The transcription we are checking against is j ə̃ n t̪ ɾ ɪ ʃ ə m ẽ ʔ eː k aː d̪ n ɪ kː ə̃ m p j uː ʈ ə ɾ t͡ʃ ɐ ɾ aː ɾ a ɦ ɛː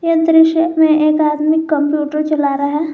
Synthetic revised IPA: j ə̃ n t̪ ɾ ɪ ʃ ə m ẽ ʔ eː k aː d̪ m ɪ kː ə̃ m p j uː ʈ ə ɾ t͡ʃ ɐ l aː ɾ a ɦ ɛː